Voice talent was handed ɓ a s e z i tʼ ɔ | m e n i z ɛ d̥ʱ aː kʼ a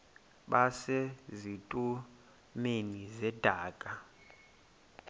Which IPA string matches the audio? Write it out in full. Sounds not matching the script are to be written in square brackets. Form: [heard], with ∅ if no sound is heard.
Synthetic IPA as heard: ɓ a s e z i tʼ [u] | m e n i z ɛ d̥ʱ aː kʼ a